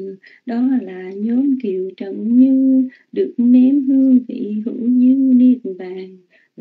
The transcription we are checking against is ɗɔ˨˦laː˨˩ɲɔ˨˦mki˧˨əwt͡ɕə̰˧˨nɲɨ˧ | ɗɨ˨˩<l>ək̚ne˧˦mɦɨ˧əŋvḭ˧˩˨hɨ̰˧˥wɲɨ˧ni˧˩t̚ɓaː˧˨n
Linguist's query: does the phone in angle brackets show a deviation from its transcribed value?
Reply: yes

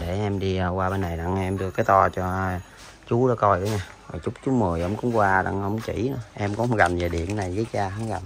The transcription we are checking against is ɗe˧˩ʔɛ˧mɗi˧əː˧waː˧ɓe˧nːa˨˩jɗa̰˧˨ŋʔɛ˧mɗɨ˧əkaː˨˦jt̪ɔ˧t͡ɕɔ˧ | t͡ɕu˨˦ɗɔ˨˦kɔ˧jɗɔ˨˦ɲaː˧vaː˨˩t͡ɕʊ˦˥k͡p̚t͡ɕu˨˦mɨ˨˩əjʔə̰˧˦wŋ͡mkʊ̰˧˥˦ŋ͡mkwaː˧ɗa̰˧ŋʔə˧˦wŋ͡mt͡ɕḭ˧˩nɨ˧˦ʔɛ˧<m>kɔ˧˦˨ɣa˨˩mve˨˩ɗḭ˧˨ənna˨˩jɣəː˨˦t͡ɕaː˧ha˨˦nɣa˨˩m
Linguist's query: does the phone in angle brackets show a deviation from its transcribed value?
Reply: no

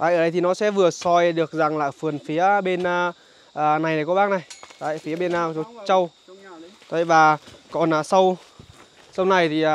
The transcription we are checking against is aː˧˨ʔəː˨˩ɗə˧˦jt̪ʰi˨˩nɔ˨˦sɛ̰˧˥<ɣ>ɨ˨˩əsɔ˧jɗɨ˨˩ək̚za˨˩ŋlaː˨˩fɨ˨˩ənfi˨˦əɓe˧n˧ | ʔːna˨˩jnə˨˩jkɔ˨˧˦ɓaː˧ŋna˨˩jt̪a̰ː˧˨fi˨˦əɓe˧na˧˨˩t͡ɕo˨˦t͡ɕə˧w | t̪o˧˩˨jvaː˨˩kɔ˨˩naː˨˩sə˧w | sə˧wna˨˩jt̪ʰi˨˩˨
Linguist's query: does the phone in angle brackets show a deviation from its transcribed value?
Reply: yes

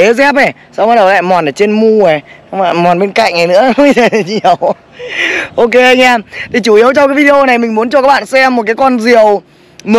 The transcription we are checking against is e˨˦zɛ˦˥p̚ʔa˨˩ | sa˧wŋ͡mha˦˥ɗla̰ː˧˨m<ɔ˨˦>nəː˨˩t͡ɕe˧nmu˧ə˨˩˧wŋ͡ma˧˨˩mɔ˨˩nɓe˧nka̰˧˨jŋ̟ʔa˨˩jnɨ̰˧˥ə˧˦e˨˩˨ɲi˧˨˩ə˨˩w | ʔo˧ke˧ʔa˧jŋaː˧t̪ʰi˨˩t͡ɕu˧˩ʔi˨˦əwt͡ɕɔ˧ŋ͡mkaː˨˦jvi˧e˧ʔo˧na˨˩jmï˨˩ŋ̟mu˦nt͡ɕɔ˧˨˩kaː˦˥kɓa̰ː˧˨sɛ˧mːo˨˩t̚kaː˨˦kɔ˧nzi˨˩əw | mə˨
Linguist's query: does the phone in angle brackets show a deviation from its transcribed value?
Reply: yes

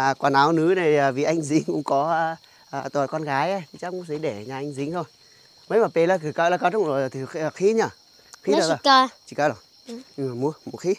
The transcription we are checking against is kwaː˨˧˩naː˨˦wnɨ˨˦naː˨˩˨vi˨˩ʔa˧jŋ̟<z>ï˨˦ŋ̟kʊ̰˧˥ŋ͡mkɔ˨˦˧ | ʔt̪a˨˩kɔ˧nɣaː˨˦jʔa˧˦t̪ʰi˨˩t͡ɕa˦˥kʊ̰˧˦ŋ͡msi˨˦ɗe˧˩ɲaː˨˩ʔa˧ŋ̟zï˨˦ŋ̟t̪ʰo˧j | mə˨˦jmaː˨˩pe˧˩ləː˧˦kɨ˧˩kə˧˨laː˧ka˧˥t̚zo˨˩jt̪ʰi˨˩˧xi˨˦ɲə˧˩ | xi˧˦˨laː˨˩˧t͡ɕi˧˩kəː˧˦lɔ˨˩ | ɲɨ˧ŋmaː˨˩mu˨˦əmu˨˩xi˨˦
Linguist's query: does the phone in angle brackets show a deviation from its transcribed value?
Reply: no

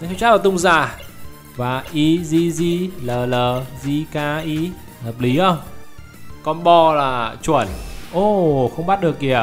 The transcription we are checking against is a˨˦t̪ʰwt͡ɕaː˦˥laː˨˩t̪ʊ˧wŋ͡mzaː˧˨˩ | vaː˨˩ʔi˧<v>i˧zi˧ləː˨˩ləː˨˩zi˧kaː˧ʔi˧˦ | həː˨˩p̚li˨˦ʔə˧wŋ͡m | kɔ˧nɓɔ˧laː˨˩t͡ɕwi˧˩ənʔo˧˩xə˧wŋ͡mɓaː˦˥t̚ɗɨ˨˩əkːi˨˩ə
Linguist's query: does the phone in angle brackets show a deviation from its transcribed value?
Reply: yes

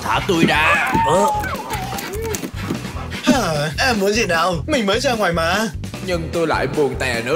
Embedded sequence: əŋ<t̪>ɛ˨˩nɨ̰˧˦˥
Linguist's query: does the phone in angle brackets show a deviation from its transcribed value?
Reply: no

